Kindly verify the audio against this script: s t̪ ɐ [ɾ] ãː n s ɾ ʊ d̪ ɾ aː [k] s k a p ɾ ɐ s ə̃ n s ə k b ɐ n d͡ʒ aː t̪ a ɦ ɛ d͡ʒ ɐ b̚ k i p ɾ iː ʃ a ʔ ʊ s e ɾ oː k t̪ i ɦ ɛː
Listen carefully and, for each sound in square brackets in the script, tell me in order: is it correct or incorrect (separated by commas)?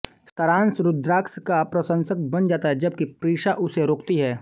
correct, correct